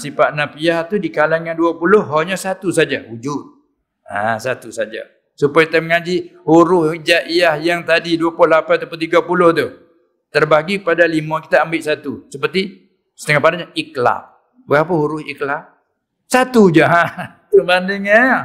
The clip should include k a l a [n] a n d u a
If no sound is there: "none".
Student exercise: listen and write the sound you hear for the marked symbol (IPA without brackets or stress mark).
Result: ŋ